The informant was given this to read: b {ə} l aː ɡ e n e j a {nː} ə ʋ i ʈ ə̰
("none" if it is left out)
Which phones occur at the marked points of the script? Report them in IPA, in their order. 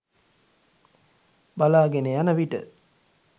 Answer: a, n

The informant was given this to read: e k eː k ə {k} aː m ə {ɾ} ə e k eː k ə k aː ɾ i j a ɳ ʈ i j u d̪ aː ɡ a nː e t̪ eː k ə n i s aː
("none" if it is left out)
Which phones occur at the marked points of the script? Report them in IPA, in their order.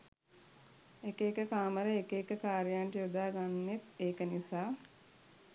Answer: k, ɾ

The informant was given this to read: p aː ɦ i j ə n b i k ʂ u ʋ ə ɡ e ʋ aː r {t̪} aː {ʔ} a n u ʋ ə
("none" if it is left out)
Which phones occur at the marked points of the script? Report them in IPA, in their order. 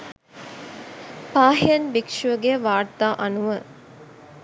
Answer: t̪, ʔ

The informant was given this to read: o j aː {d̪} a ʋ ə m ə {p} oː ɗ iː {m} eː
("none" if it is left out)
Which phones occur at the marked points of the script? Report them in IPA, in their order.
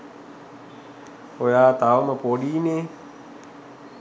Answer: t̪, p, n

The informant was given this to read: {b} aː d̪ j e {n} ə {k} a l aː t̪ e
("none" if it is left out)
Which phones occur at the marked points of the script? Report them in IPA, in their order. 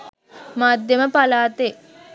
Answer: m, m, p

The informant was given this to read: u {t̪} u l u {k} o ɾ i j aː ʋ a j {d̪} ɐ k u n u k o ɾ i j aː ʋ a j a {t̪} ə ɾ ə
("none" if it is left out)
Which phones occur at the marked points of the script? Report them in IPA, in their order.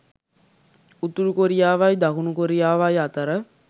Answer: t̪, k, d̪, t̪

